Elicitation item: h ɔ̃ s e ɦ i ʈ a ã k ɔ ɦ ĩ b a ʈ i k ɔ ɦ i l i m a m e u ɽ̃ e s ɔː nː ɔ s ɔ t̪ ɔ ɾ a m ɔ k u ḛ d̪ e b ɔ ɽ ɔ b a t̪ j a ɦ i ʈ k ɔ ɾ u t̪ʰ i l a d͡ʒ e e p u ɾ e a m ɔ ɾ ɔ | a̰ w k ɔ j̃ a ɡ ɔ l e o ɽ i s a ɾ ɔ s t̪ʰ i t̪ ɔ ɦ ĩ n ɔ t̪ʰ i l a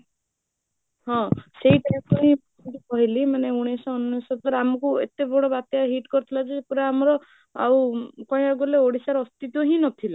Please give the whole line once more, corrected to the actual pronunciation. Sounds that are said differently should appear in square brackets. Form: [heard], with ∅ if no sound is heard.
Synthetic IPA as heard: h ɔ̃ s e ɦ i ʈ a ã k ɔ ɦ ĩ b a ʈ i k ɔ ɦ i l i m a [n] e u ɽ̃ e s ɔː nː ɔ s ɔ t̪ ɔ ɾ a m ɔ k u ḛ [t̪] e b ɔ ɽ ɔ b a t̪ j a ɦ i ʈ k ɔ ɾ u t̪ʰ i l a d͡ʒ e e p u ɾ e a m ɔ ɾ ɔ | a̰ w k ɔ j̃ a ɡ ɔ l e o ɽ i s a ɾ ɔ s [t̪] i t̪ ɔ ɦ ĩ n ɔ t̪ʰ i l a